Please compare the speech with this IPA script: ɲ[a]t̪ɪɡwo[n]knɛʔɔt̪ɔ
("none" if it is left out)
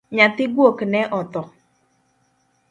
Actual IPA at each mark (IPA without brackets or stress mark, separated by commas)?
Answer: a, none